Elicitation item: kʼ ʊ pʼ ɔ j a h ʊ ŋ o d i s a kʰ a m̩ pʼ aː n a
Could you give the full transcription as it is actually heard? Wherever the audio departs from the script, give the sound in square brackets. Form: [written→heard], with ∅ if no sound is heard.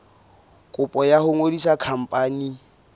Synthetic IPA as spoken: kʼ ʊ pʼ ɔ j a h ʊ ŋ o d i s a kʰ a m̩ pʼ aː n [a→i]